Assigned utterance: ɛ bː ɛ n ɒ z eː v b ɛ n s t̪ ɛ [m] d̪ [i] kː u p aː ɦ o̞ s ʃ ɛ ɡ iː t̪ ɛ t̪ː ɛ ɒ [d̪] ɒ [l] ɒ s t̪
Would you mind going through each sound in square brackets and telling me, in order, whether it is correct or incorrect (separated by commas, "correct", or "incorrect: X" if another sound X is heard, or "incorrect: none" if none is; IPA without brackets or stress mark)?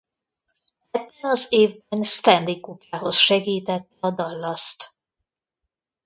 incorrect: n, correct, correct, incorrect: lː